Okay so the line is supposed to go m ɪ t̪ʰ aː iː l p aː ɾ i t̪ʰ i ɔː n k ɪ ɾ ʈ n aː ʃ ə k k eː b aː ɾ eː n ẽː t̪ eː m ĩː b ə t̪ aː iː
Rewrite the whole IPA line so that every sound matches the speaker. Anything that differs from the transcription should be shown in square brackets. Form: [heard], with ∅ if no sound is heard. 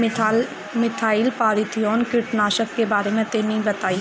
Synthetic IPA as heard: m ɪ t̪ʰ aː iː l p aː ɾ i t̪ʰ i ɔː n k ɪ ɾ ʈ n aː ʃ ə k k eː b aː ɾ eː [m] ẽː t̪ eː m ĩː b ə t̪ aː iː